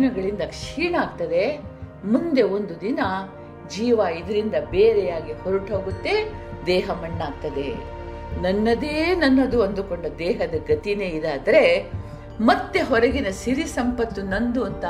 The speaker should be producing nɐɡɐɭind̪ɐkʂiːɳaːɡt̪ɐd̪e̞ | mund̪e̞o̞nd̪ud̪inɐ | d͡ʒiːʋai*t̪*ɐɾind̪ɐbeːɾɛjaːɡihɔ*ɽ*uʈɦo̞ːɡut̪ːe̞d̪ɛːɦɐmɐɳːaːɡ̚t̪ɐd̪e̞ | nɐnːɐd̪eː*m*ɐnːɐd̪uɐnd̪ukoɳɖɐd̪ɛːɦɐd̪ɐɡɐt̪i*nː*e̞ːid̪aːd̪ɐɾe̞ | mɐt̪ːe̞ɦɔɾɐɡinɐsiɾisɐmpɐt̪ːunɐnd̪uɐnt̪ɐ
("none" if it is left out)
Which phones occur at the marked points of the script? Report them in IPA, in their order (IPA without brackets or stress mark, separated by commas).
d̪, ɾ, n, n